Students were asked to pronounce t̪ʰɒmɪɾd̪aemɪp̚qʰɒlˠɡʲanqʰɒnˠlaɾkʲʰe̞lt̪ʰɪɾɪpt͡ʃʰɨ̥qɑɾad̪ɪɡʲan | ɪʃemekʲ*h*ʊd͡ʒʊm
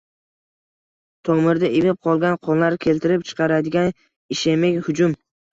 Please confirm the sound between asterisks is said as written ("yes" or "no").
yes